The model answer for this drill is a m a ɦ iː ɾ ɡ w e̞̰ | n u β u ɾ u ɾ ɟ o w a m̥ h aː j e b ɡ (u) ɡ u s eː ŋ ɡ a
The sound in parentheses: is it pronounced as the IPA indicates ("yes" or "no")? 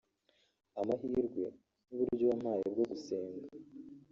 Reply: no